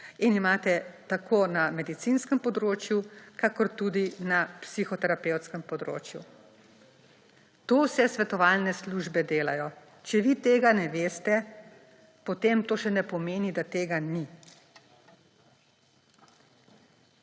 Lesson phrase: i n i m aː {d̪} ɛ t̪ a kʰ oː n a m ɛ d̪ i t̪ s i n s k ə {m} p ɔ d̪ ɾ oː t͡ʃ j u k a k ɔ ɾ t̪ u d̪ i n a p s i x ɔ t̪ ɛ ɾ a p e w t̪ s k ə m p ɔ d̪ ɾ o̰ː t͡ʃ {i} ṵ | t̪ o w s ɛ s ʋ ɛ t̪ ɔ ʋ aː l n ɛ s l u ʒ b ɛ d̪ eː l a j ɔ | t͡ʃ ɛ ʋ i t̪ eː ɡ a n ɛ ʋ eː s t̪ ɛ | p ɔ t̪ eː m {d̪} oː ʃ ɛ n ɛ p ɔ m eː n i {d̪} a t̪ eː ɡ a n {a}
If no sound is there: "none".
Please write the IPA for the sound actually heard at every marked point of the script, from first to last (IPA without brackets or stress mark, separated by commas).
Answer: t̪, m, j, t̪, d̪, i